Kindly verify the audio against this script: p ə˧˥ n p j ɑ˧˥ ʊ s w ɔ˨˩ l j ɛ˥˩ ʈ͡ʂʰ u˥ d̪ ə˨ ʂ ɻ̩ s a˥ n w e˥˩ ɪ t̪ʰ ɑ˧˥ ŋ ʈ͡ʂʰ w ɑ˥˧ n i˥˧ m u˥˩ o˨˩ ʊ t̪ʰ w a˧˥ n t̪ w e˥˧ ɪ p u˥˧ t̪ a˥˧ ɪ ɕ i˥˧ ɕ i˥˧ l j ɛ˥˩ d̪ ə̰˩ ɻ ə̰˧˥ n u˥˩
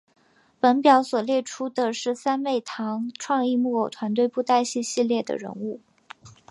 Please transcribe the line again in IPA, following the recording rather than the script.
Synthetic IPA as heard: p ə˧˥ n p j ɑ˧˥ ʊ s w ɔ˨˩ l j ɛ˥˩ ʈ͡ʂʰ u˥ d̪ ə˨ ʂ ɻ̩ s a˥ n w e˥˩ ɪ t̪ʰ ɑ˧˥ ŋ ʈ͡ʂʰ w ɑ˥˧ ŋ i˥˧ m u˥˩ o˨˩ ʊ t̪ʰ w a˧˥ n t̪ w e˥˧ ɪ p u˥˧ t̪ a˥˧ ɪ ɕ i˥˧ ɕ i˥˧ l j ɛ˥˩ d̪ ə̰˩ ɻ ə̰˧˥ n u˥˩